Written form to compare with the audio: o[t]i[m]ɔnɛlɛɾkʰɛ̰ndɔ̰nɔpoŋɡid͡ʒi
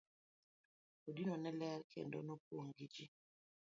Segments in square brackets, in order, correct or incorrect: incorrect: d, incorrect: n

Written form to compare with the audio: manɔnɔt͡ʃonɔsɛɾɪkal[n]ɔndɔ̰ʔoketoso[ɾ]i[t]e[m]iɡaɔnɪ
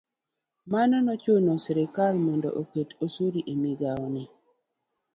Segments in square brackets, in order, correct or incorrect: incorrect: m, correct, incorrect: ʔ, correct

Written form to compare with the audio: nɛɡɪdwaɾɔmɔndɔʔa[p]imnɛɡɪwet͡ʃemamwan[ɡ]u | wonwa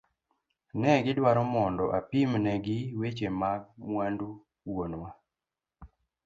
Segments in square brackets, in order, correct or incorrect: correct, incorrect: d

